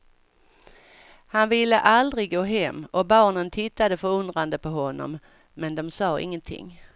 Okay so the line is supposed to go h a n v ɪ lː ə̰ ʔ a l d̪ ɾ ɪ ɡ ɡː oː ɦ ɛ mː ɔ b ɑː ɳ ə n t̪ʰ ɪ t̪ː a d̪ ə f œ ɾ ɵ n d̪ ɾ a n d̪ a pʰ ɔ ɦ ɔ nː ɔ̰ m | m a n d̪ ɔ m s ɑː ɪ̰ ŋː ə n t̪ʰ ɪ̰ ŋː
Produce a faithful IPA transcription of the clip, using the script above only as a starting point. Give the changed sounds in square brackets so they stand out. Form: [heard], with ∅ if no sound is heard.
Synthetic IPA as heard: h a n v ɪ lː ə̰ ʔ a l d̪ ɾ ɪ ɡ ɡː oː ɦ ɛ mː ɔ b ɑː ɳ ə n t̪ʰ ɪ t̪ː a d̪ ə f œ ɾ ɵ n d̪ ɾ a n d̪ [ə] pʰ ɔ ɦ ɔ nː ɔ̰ m | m [ɛ] n d̪ ɔ m s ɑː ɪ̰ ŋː ə n t̪ʰ ɪ̰ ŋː